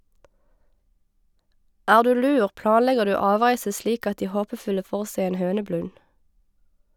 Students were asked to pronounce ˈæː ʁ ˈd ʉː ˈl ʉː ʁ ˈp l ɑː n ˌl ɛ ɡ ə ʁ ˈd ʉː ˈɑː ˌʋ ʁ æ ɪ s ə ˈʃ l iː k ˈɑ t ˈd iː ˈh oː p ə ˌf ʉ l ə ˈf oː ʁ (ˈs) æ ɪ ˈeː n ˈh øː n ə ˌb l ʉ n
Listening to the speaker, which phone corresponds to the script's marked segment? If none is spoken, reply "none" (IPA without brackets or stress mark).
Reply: s